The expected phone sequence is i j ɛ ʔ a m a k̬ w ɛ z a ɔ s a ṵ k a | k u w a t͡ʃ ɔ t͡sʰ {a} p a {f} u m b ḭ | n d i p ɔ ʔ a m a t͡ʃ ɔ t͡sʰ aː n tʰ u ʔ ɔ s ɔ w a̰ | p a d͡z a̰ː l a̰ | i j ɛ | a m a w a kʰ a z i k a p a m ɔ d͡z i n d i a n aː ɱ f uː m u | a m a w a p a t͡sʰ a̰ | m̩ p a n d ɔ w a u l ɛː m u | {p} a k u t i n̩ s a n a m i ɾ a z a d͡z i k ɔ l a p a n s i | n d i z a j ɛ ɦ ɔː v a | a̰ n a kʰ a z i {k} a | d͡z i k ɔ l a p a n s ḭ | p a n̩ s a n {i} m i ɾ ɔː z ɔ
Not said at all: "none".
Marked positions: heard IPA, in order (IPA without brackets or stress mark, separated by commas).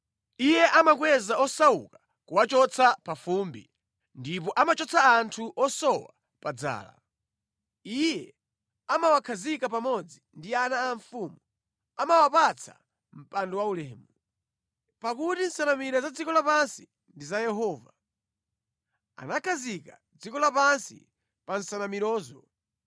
a, f, p, k, a